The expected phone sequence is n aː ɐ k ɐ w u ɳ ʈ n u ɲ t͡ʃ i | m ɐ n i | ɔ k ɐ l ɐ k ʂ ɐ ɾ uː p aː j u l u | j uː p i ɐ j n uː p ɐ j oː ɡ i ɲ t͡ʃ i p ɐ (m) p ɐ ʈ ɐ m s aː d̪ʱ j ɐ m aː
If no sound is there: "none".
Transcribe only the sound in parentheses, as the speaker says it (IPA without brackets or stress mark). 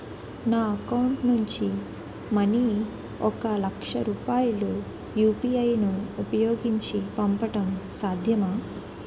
m